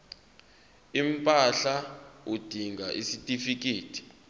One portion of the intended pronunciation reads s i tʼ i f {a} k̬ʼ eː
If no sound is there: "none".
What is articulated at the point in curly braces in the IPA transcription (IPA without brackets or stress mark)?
i